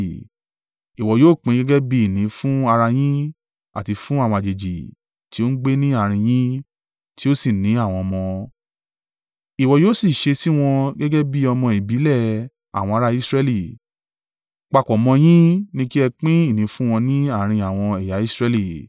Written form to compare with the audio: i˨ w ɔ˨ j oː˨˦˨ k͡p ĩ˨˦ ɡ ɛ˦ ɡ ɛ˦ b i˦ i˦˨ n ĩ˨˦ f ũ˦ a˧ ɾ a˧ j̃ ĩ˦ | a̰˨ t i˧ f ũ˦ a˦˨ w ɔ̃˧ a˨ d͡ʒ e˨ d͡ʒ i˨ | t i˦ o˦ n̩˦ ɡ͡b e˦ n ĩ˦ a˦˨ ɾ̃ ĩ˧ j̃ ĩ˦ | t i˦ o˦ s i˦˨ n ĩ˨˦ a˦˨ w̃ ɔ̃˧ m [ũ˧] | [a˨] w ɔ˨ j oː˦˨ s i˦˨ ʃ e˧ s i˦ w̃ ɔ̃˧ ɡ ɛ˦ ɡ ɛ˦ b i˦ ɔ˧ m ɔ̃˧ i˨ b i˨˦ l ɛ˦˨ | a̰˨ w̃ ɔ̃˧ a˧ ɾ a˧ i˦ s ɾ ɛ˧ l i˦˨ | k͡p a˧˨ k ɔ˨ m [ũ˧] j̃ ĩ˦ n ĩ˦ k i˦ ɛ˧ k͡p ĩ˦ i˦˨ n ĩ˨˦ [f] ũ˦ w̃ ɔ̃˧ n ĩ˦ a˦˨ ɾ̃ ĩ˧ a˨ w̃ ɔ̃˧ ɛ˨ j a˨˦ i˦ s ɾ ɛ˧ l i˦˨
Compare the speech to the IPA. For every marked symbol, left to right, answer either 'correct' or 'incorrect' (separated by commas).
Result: incorrect, incorrect, incorrect, correct